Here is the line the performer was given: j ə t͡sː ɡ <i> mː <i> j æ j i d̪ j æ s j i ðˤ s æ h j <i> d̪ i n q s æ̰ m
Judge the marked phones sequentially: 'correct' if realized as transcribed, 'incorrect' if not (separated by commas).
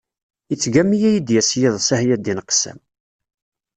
incorrect, correct, incorrect